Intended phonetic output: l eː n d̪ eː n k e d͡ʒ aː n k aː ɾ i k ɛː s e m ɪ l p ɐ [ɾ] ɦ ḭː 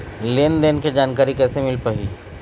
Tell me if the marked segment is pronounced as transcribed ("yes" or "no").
no